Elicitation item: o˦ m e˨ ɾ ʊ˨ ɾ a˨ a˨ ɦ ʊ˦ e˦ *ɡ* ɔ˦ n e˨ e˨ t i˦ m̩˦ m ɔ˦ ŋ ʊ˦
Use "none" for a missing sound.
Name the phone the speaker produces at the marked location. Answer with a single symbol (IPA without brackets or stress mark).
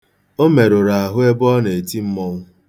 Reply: b